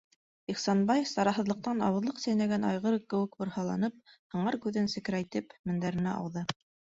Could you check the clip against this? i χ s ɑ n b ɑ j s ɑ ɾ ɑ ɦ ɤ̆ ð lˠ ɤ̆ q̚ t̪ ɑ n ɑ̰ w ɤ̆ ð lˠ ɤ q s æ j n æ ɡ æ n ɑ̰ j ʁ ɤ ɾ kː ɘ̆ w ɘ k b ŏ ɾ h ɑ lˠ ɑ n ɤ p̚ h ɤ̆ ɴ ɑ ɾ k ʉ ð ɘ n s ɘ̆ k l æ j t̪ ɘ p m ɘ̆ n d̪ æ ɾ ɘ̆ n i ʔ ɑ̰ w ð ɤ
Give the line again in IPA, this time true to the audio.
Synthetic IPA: i χ s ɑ n b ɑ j s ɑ ɾ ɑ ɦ ɤ̆ ð lˠ ɤ̆ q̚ t̪ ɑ n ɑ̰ w ɤ̆ ð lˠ ɤ q s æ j n æ ɡ æ n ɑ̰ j ʁ ɤ ɾ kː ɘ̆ w ɘ k b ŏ ɾ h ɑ lˠ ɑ n ɤ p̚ h ɤ̆ ɴ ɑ ɾ k ʉ ð ɘ n s ɘ̆ k ɾ æ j t̪ ɘ p m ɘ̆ n d̪ æ ɾ ɘ̆ n æ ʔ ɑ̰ w ð ɤ